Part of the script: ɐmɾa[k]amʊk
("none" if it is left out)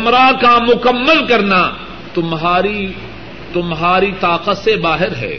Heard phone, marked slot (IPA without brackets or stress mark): k